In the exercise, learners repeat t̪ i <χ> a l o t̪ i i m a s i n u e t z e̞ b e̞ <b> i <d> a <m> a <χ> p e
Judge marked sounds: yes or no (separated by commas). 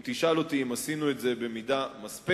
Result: no, no, yes, yes, no